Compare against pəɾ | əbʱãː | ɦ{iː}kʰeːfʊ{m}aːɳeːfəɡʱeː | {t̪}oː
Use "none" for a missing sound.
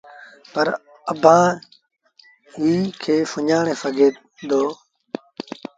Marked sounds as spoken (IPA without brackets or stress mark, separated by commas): iː, ɲ, d̪